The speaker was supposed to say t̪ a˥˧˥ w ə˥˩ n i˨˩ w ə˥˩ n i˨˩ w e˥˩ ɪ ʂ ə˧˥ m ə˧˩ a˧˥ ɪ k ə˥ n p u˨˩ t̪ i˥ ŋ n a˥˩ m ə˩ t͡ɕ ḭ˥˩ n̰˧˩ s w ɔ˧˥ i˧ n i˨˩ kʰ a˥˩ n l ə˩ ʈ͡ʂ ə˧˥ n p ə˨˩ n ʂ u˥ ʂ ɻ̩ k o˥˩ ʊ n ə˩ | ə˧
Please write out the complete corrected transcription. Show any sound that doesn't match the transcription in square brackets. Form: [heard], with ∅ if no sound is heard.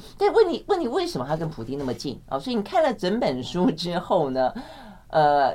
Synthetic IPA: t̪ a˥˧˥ w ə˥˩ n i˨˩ w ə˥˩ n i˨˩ w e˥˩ ɪ ʂ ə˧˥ m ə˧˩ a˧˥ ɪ k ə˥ n [pʰ] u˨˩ t̪ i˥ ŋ n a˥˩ m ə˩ t͡ɕ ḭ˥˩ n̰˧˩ s w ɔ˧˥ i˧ n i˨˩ kʰ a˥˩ n l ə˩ ʈ͡ʂ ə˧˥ n p ə˨˩ n ʂ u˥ [ʈ͡ʂ] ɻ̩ [x] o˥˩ ʊ n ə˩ | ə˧